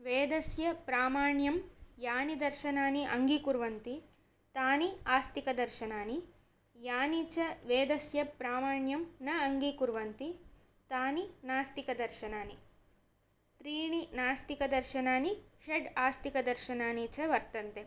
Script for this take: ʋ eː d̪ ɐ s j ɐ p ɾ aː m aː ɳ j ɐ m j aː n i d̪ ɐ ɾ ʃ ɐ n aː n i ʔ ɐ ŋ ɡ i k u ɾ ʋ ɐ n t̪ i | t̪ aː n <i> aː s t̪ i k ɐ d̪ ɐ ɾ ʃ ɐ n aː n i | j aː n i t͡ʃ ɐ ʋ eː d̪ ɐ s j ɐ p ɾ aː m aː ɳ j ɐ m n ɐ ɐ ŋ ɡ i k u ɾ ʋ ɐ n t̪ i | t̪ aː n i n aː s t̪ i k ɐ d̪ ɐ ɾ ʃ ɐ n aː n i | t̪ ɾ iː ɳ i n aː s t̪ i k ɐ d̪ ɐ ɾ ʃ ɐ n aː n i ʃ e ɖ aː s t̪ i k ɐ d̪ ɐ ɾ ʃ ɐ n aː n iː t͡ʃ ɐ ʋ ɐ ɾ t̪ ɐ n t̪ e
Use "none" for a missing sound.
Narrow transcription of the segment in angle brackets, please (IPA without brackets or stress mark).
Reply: i